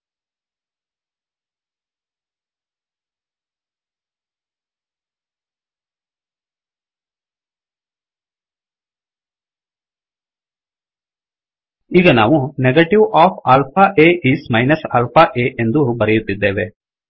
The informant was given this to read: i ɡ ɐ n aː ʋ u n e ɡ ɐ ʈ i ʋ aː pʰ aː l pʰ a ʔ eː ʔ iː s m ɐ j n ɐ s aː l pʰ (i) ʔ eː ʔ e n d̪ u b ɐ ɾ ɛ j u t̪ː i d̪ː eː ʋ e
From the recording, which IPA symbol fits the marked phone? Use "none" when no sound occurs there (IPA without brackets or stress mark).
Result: a